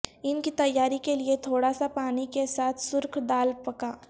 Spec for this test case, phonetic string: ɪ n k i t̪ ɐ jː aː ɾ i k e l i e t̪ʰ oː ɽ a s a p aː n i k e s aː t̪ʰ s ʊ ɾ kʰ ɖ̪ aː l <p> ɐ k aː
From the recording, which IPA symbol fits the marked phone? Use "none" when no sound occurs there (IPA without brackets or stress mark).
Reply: p